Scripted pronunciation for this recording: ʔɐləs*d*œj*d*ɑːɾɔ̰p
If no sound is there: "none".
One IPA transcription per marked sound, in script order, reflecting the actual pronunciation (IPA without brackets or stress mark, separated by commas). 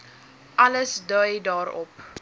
d, d